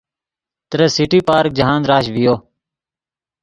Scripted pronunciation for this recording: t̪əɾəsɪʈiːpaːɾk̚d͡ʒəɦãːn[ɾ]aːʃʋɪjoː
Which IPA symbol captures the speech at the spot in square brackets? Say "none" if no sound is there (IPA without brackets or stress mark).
ɾ